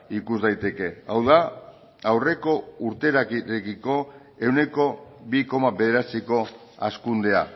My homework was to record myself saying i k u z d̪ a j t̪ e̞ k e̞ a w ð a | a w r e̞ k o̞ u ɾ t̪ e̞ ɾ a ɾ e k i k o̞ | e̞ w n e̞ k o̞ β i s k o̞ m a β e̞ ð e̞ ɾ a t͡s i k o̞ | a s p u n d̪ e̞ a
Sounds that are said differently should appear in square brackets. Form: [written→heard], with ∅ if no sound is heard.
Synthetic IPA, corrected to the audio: i k u z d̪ a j t̪ e̞ k e̞ a w ð a | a w r e̞ k o̞ u ɾ t̪ e̞ ɾ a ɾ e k i k o̞ | e̞ w n e̞ k o̞ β i [s→∅] k o̞ m a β e̞ ð e̞ ɾ a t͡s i k o̞ | a s [p→k] u n d̪ e̞ a

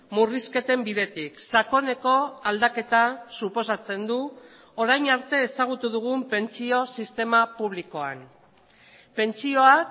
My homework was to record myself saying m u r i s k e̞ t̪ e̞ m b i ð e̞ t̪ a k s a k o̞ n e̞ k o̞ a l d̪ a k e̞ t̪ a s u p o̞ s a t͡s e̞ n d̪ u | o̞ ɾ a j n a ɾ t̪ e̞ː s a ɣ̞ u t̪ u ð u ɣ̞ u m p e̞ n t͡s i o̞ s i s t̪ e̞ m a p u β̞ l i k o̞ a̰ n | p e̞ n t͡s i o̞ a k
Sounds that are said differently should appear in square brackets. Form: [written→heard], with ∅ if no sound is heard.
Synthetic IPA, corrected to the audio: m u r i s k e̞ t̪ e̞ m b i ð e̞ t̪ [a→i] k s a k o̞ n e̞ k o̞ a l d̪ a k e̞ t̪ a s u p o̞ s a t͡s e̞ n d̪ u | o̞ ɾ a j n a ɾ t̪ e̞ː s a ɣ̞ u t̪ u ð u ɣ̞ u m p e̞ n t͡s i o̞ s i s t̪ e̞ m a p u β̞ l i k o̞ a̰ n | p e̞ n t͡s i o̞ a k

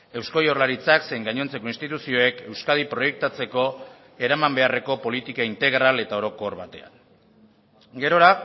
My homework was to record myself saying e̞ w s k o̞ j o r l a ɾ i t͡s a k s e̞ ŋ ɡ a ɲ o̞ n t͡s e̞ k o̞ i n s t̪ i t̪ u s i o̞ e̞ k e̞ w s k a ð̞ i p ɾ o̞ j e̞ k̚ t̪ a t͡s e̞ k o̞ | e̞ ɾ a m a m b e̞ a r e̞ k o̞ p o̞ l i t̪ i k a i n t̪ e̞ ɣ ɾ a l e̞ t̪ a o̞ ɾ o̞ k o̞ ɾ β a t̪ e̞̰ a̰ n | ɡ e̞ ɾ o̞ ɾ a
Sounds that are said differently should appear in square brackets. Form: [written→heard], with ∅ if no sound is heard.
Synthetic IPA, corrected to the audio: e̞ w s k o̞ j o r l a ɾ i t͡s a k s e̞ ŋ ɡ a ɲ o̞ n t͡s e̞ k o̞ i n s t̪ i t̪ u s i o̞ e̞ k e̞ w s k a ð̞ i p ɾ o̞ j e̞ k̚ t̪ a t͡s e̞ k o̞ | e̞ ɾ a m a m b e̞ a r e̞ k o̞ p o̞ l i t̪ i k a i n t̪ e̞ ɣ ɾ a l e̞ t̪ a o̞ ɾ o̞ k o̞ ɾ β a t̪ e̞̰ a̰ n | ɡ e̞ ɾ o̞ ɾ a

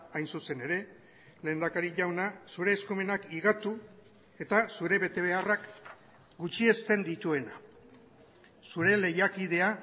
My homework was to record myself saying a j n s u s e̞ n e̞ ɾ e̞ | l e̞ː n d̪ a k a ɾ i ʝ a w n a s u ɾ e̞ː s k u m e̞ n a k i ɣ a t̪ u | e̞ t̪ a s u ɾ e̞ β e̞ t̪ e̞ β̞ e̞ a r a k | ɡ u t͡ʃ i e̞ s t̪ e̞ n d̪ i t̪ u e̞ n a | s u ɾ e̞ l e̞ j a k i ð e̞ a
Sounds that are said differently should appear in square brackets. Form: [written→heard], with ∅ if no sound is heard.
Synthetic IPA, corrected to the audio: a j n s u s e̞ n e̞ ɾ e̞ | l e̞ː n d̪ a k a ɾ i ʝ a w n a s u ɾ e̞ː s k u m e̞ n a k i ɣ a t̪ u | e̞ t̪ a s u ɾ e̞ β e̞ t̪ e̞ β̞ e̞ a r a k | ɡ u t͡ʃ i e̞ s t̪ e̞ n d̪ i t̪ u e̞ n a | s u ɾ e̞ l e̞ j a k i ð e̞ a

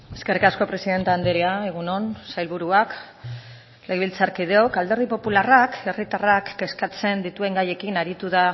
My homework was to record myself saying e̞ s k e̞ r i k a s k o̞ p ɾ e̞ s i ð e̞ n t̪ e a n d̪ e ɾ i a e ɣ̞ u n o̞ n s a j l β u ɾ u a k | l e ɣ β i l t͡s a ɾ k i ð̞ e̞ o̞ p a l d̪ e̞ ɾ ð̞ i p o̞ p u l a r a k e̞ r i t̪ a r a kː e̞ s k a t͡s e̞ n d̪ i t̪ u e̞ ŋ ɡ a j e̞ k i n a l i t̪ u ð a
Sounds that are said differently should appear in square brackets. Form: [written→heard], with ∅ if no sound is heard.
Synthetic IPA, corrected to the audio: e̞ s k e̞ r i k a s k o̞ p ɾ e̞ s i ð e̞ n t̪ e a n d̪ e ɾ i a e ɣ̞ u n o̞ n s a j l β u ɾ u a k | l e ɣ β i l t͡s a ɾ k i ð̞ e̞ o̞ [p→k] a l d̪ e̞ ɾ ð̞ i p o̞ p u l a r a k e̞ r i t̪ a r a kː e̞ s k a t͡s e̞ n d̪ i t̪ u e̞ ŋ ɡ a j e̞ k i n a [l→ɾ] i t̪ u ð a

